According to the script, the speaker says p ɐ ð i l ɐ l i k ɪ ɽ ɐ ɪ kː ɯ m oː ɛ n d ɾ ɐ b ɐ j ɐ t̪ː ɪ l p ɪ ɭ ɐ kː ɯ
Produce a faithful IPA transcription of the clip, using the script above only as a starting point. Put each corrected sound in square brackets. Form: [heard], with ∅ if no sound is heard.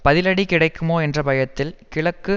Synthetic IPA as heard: p ɐ ð [ɪ] l ɐ [ɽ] i k ɪ ɽ ɐ ɪ kː ɯ m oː ɛ n d [r] ɐ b ɐ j ɐ t̪ː ɪ l [k] ɪ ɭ ɐ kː ɯ